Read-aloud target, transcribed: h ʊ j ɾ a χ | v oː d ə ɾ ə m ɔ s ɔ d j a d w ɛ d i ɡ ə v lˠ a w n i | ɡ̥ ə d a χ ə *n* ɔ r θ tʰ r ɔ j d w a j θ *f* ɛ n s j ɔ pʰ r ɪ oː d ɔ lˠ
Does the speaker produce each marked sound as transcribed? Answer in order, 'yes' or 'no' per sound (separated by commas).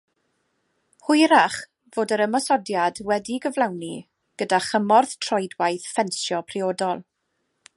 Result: no, yes